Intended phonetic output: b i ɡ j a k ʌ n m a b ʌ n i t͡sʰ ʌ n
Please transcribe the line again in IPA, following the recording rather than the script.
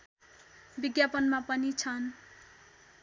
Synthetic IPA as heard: b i ɡ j a p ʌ n m a p ʌ n i t͡sʰ ʌ n